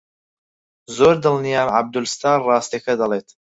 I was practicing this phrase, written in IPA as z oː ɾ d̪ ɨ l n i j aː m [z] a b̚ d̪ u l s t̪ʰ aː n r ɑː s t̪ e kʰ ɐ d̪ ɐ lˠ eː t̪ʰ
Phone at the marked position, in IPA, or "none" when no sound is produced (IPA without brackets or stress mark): ʕ